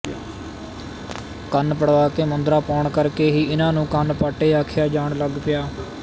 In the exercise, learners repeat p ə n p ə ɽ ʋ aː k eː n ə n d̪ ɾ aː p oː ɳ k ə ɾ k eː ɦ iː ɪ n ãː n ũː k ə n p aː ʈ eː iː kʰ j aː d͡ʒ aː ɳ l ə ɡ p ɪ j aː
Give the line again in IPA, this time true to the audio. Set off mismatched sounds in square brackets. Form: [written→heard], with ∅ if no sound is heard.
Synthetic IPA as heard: [p→k] ə n p ə ɽ ʋ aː k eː [n→m] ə n d̪ ɾ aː p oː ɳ k ə ɾ k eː ɦ iː ɪ n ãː n ũː k ə n p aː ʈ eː [iː→aː] kʰ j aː d͡ʒ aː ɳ l ə ɡ p ɪ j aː

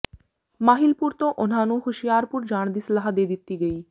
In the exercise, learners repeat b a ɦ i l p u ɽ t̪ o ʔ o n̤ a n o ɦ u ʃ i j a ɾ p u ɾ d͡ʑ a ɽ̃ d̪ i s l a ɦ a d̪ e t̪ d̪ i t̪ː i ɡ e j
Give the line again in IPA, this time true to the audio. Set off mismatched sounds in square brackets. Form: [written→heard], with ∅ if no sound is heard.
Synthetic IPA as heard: [b→m] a ɦ i l p u [ɽ→ɾ] t̪ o ʔ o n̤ a n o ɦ u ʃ i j a ɾ p u ɾ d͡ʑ a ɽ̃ d̪ i s l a ɦ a d̪ e [t̪→∅] d̪ i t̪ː i ɡ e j

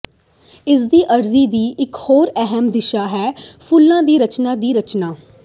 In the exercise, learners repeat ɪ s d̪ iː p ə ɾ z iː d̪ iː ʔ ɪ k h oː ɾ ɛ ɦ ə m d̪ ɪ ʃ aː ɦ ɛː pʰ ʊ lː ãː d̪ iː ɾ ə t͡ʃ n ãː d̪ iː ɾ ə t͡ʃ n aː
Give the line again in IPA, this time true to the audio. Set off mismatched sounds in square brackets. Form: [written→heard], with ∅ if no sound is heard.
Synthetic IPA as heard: ɪ s d̪ iː [p→ʔ] ə ɾ z iː d̪ iː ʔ ɪ k h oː ɾ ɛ ɦ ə m d̪ ɪ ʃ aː ɦ ɛː pʰ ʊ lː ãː d̪ iː ɾ ə t͡ʃ n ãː d̪ iː ɾ ə t͡ʃ n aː

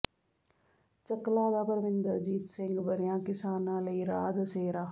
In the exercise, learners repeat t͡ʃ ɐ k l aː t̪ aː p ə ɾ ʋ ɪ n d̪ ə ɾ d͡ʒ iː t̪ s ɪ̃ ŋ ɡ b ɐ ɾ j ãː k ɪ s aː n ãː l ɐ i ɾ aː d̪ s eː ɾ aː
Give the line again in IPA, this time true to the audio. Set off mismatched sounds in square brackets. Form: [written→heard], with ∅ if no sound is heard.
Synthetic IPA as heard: t͡ʃ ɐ k l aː [t̪→d̪] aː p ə ɾ ʋ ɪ n d̪ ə ɾ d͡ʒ iː t̪ s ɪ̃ ŋ ɡ b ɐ ɾ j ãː k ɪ s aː n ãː l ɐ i ɾ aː d̪ s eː ɾ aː

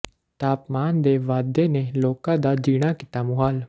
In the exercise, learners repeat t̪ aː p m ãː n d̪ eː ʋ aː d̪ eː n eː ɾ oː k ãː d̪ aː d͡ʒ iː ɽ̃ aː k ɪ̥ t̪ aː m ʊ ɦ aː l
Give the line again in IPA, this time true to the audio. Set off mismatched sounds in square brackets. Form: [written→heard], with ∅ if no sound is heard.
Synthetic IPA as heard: t̪ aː p m [ãː→aː] n d̪ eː ʋ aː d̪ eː n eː [ɾ→l] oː k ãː d̪ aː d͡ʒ iː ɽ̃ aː k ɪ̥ t̪ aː m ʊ ɦ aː l

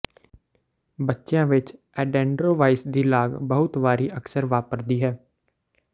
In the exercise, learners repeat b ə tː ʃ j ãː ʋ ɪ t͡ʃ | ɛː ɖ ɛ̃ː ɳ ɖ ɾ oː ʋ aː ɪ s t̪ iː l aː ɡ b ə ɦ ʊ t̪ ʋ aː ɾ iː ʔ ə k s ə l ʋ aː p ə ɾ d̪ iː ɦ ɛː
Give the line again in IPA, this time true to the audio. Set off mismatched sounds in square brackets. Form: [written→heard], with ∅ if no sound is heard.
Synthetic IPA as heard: b ə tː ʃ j ãː ʋ ɪ t͡ʃ | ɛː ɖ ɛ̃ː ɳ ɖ ɾ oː ʋ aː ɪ s [t̪→d̪] iː l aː ɡ b ə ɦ ʊ t̪ ʋ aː ɾ iː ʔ ə k s ə [l→ɾ] ʋ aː p ə ɾ d̪ iː ɦ ɛː

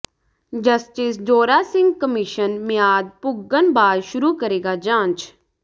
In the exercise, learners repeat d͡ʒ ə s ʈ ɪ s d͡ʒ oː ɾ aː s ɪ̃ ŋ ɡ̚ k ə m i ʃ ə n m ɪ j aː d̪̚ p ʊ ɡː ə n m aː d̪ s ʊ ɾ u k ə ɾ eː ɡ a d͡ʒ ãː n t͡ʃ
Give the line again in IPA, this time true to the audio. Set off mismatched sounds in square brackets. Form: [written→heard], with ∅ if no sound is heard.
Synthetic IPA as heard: d͡ʒ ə s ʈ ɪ s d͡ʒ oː ɾ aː s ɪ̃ ŋ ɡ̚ k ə m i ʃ ə n m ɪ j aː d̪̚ p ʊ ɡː ə n [m→b] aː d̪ [s→ʃ] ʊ ɾ u k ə ɾ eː ɡ a d͡ʒ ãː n t͡ʃ

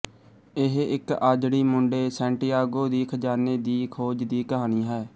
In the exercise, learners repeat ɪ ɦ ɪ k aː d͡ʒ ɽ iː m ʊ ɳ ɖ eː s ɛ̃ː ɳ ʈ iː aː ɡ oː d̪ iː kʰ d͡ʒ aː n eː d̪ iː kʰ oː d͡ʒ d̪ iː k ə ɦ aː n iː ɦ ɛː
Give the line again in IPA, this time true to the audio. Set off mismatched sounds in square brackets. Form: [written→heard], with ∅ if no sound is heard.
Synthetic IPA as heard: ɪ ɦ ɪ k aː d͡ʒ ɽ iː m ʊ ɳ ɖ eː s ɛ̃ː ɳ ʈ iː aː ɡ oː d̪ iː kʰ d͡ʒ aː n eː d̪ iː kʰ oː d͡ʒ d̪ iː k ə ɦ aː n iː ɦ ɛː

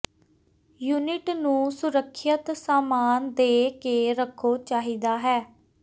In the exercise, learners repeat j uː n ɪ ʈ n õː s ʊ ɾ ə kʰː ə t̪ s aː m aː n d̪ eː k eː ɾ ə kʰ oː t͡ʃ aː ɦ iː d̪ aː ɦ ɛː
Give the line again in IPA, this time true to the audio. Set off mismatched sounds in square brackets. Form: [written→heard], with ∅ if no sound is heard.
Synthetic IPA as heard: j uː n ɪ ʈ n [õː→ũː] s ʊ ɾ ə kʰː ə t̪ s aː m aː n d̪ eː k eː ɾ ə kʰ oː t͡ʃ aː ɦ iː d̪ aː ɦ ɛː

